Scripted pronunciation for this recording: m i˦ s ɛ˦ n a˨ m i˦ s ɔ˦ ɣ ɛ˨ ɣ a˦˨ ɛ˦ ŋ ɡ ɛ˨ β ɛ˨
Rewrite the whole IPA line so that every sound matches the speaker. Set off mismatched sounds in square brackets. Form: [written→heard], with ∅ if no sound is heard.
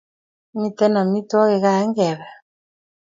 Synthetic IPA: m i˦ [s→t] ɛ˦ n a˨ m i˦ [s→t] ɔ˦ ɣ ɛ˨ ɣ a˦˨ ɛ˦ ŋ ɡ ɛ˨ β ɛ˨